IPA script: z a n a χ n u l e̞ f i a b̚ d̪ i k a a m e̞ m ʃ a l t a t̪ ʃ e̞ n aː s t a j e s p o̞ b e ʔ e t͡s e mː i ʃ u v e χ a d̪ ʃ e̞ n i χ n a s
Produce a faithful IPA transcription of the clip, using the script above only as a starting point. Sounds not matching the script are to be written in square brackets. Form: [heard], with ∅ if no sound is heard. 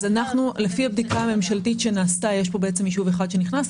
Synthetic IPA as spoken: z a n a χ n u l e̞ f i a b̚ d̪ i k a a m e̞ m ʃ a l t [i] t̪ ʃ e̞ n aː s t a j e [ʃ] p o̞ b e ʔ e t͡s e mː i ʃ u v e χ a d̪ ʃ e̞ n i χ n a s